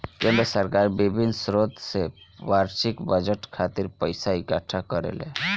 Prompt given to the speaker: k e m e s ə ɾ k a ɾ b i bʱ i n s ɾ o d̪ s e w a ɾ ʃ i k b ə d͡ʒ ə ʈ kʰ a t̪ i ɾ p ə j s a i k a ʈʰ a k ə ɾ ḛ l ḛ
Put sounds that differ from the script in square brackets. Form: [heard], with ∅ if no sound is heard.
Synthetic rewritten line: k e m e s ə ɾ k a ɾ b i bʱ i n s ɾ o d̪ s e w a ɾ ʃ i k b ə d͡ʒ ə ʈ kʰ a t̪ i ɾ p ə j s a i k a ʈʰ a k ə ɾ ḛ l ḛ